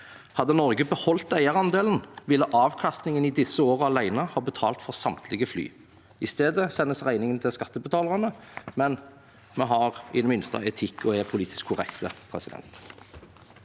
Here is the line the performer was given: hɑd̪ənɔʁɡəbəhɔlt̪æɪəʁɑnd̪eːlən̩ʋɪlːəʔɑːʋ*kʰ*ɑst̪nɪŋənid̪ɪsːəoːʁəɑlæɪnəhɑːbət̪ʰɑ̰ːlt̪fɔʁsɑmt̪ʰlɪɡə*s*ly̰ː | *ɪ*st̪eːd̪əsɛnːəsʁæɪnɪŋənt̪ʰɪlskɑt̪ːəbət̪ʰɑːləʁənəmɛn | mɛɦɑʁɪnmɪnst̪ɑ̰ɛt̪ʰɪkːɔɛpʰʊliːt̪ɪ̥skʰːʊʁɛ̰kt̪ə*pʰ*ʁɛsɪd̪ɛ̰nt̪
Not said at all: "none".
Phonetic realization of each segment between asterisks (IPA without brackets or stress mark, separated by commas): kʰ, f, ɪ, pʰ